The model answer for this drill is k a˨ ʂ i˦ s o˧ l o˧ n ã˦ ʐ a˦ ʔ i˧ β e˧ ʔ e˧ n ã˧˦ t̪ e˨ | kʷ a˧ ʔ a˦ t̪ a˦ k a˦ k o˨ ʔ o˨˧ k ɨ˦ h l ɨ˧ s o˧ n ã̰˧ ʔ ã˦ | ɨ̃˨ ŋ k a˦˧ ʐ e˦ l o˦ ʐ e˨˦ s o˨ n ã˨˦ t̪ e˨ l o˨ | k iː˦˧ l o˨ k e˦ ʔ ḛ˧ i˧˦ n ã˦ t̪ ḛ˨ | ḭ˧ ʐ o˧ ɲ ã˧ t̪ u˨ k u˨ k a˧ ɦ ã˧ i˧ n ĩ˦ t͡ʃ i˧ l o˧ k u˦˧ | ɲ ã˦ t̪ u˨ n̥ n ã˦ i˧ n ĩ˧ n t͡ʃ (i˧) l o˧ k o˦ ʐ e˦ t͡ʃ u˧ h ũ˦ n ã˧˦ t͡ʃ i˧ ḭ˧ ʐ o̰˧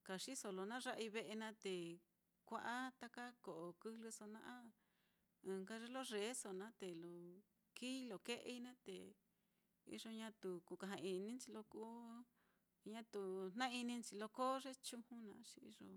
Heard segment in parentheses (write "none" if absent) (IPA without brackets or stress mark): i˧